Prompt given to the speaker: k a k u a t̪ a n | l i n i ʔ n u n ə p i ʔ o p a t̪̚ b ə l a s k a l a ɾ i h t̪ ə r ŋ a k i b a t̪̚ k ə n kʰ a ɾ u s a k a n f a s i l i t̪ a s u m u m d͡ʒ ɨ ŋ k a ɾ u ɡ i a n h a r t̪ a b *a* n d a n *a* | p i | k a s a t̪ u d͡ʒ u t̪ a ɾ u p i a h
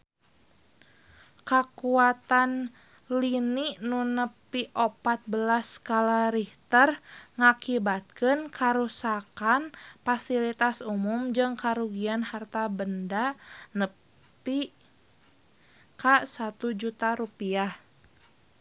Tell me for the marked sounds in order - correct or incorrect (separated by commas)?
incorrect, incorrect